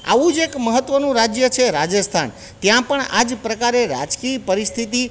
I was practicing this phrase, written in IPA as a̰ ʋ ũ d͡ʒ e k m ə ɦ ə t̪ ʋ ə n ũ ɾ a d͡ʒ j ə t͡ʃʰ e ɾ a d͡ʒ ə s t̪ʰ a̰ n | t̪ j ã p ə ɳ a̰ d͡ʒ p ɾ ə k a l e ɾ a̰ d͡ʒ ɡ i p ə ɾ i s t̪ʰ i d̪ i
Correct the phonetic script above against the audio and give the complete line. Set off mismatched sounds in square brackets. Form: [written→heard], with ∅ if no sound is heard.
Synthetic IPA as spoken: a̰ ʋ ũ d͡ʒ e k m ə ɦ ə t̪ ʋ ə n ũ ɾ a d͡ʒ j ə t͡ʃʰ e ɾ a d͡ʒ ə s t̪ʰ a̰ n | t̪ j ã p ə ɳ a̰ d͡ʒ p ɾ ə k a [l→ɾ] e ɾ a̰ d͡ʒ [ɡ→k] i p ə ɾ i s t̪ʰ i [d̪→t̪] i